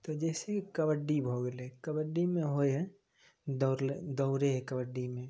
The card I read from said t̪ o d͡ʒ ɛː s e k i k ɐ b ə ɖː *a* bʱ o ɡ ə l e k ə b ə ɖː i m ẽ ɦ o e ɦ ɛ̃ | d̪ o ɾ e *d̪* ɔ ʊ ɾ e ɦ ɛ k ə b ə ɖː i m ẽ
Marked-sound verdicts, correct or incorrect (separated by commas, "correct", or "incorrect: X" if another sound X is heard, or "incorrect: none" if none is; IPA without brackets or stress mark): incorrect: i, correct